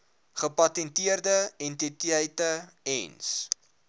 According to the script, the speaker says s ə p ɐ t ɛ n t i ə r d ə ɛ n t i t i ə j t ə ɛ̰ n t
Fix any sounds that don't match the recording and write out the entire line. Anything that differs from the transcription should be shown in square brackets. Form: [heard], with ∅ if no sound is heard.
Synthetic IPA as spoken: [χ] ə p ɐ t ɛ n t i ə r d ə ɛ n t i t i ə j t ə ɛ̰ n [s]